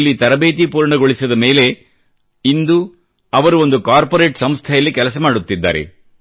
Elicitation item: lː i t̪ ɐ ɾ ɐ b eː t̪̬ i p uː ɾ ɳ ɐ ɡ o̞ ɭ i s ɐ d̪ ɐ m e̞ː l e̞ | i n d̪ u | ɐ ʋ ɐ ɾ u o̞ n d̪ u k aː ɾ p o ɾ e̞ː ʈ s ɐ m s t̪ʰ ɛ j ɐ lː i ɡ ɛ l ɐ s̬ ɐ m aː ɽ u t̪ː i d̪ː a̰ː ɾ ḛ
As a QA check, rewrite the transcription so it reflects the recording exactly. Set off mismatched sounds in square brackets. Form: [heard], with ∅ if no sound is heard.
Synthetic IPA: lː i t̪ ɐ ɾ ɐ b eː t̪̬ i p uː ɾ ɳ ɐ ɡ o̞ ɭ i s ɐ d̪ ɐ m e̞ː l e̞ | i n d̪ u | ɐ ʋ ɐ ɾ u o̞ n d̪ u k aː ɾ p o ɾ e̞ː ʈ s ɐ m s t̪ʰ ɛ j ɐ lː i [k] ɛ l ɐ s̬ ɐ m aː ɽ u t̪ː i d̪ː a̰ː ɾ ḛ